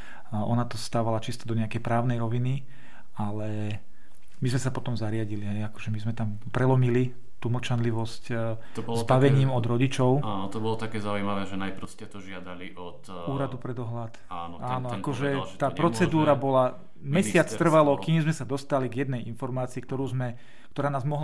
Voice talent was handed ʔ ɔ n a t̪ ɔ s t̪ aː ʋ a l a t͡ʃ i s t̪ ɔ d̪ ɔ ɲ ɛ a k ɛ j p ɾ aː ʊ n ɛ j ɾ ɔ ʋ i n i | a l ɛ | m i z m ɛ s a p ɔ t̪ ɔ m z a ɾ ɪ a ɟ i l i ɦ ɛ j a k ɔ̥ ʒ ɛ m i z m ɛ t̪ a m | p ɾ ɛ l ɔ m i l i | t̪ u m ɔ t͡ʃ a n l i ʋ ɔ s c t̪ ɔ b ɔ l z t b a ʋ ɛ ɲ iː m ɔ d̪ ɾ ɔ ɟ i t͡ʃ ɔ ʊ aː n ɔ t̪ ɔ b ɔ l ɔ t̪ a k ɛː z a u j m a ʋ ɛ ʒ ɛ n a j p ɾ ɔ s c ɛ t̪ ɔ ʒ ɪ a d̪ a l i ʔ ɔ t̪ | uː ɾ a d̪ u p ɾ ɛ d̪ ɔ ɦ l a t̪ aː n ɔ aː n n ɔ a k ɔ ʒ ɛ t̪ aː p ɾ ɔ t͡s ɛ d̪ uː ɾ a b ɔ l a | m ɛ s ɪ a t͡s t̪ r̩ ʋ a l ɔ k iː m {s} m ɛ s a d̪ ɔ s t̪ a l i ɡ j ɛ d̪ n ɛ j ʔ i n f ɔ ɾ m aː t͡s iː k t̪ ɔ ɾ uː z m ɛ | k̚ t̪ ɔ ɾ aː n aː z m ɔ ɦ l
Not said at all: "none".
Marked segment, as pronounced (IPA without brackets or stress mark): z